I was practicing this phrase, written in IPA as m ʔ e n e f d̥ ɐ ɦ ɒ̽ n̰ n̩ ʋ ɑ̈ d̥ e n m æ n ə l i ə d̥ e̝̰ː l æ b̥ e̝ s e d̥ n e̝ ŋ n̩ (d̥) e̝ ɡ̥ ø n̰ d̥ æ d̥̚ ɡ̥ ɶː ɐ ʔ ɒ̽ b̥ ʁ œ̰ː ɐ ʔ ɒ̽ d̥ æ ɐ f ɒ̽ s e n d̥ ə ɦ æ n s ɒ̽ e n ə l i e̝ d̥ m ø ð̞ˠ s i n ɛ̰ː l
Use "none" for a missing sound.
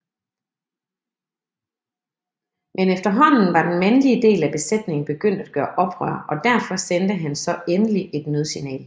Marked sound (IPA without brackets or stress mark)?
b̥